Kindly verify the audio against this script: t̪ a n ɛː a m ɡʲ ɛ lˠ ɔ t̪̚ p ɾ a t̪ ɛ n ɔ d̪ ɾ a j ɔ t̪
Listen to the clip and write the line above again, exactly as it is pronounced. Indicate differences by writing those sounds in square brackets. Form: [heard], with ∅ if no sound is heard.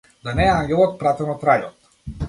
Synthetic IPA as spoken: [d̪] a n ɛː a [ŋ] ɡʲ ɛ lˠ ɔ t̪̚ p ɾ a t̪ ɛ n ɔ [t̪] ɾ a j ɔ t̪